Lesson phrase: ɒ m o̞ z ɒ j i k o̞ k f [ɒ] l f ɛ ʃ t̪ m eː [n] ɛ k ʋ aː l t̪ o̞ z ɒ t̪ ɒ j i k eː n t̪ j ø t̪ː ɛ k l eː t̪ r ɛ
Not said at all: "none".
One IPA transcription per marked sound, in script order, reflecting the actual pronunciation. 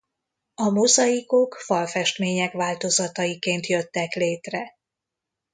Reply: ɒ, ɲ

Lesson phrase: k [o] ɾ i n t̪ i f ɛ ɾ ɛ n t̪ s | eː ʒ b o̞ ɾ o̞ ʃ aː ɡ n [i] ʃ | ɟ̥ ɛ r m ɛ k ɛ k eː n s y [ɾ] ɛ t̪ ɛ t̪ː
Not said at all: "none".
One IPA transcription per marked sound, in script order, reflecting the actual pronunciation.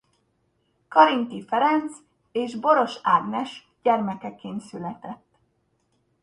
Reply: ɒ, ɛ, l

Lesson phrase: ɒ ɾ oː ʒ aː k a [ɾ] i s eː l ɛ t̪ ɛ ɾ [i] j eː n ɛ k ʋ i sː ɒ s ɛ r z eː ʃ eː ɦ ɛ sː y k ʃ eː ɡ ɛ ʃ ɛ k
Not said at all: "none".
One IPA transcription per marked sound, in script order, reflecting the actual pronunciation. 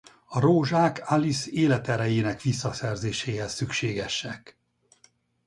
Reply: l, ɛ

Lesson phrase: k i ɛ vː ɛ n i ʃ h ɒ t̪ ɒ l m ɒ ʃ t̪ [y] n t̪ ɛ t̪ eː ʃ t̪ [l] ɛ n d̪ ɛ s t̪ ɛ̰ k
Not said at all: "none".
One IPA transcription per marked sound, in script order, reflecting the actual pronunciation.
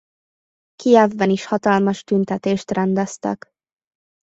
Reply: y, r

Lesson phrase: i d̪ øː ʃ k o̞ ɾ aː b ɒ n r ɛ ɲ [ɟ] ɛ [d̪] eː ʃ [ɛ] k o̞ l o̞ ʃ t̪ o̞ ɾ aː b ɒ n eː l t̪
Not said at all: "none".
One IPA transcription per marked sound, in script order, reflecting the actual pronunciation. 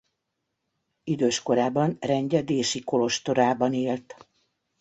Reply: ɟ, d̪, i

